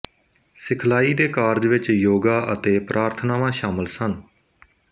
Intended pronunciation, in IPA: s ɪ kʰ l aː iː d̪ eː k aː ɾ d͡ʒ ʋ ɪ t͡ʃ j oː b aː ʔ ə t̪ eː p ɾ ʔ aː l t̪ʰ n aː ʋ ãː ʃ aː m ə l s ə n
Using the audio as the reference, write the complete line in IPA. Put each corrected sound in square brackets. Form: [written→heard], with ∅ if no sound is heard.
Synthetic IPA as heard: s ɪ kʰ l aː iː d̪ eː k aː ɾ d͡ʒ ʋ ɪ t͡ʃ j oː [b→ɡ] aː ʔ ə t̪ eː p ɾ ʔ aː [l→ɾ] t̪ʰ n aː ʋ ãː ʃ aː m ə l s ə n